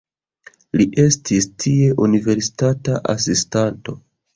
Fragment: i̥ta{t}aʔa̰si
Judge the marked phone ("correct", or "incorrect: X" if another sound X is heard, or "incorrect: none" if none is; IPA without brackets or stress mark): correct